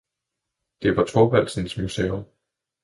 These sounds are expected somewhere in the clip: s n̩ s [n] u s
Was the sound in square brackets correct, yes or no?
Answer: no